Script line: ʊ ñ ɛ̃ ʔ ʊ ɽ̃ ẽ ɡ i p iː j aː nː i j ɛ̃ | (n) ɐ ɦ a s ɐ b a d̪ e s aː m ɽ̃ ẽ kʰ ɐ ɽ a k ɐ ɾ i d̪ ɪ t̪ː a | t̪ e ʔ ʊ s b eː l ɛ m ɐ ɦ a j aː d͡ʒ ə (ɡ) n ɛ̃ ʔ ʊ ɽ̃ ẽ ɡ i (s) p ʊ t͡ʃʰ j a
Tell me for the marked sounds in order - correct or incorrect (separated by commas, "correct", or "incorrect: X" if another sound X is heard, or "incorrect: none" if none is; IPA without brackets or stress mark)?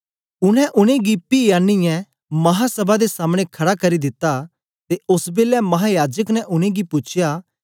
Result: incorrect: m, incorrect: k, incorrect: none